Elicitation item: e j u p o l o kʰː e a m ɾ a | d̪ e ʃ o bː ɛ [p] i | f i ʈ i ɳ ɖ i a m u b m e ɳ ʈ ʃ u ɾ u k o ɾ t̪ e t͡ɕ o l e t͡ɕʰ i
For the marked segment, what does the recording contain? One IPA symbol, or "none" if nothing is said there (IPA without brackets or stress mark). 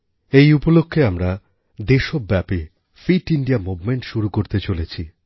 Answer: p